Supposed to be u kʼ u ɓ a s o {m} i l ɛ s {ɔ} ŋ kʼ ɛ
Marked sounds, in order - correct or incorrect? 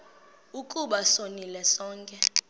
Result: incorrect, incorrect

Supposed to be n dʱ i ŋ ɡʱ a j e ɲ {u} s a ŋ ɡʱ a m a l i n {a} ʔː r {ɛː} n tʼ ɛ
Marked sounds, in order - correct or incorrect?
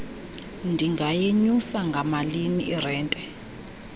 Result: correct, incorrect, correct

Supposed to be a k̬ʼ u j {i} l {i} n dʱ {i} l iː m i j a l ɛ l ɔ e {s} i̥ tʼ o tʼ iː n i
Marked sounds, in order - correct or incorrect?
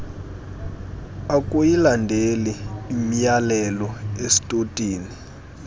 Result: correct, incorrect, incorrect, correct

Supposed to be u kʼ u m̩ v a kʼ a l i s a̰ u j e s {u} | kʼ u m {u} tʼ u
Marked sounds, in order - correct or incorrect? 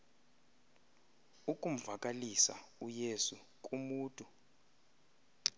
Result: correct, incorrect

